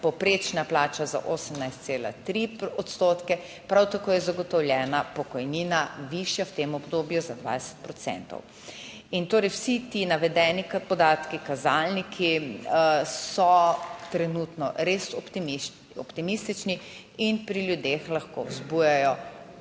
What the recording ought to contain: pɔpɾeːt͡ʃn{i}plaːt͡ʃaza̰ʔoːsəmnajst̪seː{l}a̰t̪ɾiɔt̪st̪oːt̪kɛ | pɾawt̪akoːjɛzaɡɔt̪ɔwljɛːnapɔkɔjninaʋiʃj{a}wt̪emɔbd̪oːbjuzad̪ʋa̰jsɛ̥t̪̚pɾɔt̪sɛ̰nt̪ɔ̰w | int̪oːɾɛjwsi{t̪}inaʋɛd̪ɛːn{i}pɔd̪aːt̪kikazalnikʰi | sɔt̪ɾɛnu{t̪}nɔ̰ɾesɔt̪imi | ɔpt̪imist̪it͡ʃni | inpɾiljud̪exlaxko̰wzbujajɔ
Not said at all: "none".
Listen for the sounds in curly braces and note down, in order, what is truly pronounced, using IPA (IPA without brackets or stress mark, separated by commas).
a, l, a, t̪, i, t̪